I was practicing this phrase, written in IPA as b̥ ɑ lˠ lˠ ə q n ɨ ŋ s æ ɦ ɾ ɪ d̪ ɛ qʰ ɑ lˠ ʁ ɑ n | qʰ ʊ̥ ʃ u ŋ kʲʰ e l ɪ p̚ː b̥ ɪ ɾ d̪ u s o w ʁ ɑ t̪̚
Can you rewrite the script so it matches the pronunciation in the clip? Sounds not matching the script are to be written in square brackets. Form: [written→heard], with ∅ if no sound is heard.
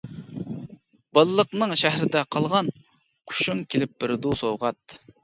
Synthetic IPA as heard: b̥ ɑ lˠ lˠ ə q n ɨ ŋ [s→ʃ] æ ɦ ɾ ɪ d̪ ɛ qʰ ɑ lˠ ʁ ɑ n | qʰ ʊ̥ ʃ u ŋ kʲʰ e l ɪ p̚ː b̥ ɪ ɾ d̪ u s o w ʁ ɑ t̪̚

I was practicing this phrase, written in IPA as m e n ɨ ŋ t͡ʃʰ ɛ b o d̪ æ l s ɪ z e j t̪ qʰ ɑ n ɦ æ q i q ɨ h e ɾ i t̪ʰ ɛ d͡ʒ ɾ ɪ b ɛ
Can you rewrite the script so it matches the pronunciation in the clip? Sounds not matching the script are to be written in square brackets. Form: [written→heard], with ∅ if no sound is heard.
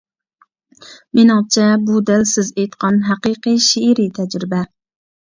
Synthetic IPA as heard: m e n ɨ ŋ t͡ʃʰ ɛ b [o→u] d̪ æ l s ɪ z e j t̪ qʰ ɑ n ɦ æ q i q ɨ [h→ʃ] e ɾ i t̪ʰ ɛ d͡ʒ ɾ ɪ b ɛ

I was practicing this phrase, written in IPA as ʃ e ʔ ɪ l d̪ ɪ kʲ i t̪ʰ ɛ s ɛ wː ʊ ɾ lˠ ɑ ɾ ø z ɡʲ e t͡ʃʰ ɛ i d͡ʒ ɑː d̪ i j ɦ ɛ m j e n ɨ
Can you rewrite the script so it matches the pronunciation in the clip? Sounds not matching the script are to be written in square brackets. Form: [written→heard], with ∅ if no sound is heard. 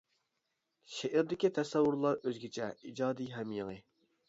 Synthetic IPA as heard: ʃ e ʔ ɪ [l→ɾ] d̪ ɪ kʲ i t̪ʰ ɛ s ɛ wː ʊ ɾ lˠ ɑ ɾ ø z ɡʲ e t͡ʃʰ ɛ i d͡ʒ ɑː d̪ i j ɦ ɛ m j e [n→ŋ] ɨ

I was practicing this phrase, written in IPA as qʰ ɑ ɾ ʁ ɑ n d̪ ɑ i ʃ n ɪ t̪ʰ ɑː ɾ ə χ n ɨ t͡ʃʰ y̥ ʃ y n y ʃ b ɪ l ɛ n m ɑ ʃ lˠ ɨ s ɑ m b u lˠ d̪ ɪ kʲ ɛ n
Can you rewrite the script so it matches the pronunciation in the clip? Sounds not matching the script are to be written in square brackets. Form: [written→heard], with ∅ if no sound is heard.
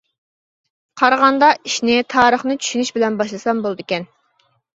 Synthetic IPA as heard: qʰ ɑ ɾ ʁ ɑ n d̪ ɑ i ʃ n ɪ t̪ʰ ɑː ɾ ə χ n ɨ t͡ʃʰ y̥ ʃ y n y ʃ b ɪ l ɛ n [m→b] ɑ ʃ lˠ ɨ s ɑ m b [u→o] lˠ d̪ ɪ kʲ ɛ n

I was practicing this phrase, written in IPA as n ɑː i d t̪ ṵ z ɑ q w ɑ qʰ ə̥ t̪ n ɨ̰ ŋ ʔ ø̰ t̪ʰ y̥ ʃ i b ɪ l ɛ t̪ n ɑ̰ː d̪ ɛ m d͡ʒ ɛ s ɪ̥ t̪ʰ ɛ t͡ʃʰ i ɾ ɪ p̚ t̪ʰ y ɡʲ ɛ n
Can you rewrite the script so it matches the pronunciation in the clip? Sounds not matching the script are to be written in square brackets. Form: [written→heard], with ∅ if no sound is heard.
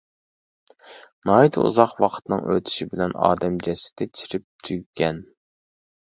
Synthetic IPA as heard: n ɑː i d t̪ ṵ z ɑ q w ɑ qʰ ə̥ t̪ n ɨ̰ ŋ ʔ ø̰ t̪ʰ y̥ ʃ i b ɪ l ɛ [t̪→∅] n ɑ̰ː d̪ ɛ m d͡ʒ ɛ s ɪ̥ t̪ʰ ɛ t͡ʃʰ i ɾ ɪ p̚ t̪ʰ y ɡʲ ɛ n

